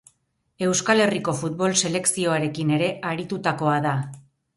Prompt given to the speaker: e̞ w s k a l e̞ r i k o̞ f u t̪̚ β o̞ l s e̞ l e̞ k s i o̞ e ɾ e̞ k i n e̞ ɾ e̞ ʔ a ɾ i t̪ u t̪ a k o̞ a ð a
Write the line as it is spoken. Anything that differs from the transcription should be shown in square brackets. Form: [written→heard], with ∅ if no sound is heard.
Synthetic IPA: e̞ w s k a l e̞ r i k o̞ f u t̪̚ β o̞ l s e̞ l e̞ k s i o̞ [e→a] ɾ e̞ k i n e̞ ɾ e̞ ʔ a ɾ i t̪ u t̪ a k o̞ a ð a